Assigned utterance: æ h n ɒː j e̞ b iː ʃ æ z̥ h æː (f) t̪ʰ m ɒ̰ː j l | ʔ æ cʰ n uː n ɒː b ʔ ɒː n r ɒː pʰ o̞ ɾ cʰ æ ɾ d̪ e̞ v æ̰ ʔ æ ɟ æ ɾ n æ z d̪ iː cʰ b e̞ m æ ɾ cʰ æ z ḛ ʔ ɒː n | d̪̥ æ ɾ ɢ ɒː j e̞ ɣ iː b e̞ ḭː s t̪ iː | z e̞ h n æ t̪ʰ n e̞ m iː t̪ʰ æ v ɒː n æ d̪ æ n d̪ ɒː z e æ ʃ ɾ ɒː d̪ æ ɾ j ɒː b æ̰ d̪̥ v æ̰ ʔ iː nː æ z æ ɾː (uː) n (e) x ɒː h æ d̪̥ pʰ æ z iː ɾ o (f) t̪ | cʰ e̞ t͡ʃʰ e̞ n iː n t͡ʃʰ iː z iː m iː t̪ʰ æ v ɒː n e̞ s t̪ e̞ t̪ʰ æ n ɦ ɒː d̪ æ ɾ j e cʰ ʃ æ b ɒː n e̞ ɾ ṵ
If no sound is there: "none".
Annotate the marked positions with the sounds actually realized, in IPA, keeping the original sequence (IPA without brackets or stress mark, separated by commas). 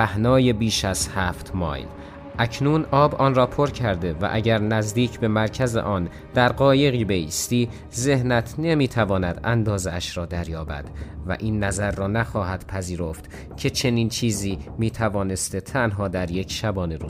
f, ɒː, æ, f